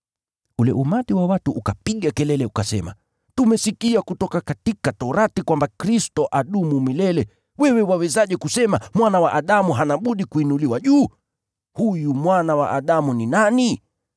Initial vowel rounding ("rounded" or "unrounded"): rounded